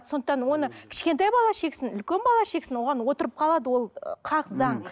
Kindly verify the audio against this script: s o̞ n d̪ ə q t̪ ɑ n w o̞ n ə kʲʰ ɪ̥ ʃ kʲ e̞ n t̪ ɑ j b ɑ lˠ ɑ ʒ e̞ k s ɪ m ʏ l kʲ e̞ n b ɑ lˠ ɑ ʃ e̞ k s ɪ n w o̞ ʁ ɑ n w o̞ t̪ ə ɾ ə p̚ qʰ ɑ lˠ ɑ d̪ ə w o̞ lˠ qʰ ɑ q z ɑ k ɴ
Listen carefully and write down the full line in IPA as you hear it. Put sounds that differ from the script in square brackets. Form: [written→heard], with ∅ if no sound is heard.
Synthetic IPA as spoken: s o̞ n d̪ ə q t̪ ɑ n w o̞ n ə kʲʰ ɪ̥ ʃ kʲ e̞ n t̪ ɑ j b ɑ lˠ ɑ [ʒ→ʃ] e̞ k s ɪ [m→n] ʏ l kʲ e̞ n b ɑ lˠ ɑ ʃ e̞ k s ɪ n w o̞ ʁ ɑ n w o̞ t̪ ə ɾ ə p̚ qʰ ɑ lˠ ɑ d̪ ə w o̞ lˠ qʰ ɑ q z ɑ [k→∅] ɴ